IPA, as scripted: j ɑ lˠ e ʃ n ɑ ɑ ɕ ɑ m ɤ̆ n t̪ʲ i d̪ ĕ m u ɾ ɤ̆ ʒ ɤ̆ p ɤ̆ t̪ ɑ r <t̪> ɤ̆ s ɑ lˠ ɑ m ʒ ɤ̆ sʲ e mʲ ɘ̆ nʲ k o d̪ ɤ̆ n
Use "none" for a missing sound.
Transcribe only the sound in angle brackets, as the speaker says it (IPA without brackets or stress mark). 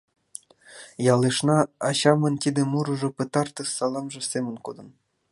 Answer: t̪